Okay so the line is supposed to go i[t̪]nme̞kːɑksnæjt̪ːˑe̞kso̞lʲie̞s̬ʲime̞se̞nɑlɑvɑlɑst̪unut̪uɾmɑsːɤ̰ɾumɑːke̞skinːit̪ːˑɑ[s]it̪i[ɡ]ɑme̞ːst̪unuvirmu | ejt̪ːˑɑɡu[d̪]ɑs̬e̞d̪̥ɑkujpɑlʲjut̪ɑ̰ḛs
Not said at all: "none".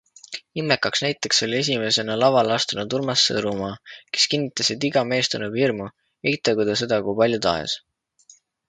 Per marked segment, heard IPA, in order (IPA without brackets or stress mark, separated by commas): none, s, ɡ, d̪